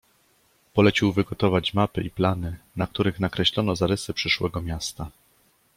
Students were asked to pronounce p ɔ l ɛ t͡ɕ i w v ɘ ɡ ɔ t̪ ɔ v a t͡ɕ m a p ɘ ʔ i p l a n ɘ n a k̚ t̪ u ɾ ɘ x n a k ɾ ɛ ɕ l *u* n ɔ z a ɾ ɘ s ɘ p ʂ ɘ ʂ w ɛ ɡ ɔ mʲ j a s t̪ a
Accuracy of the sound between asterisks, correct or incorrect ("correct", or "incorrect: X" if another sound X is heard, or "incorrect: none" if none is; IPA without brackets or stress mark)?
incorrect: ɔ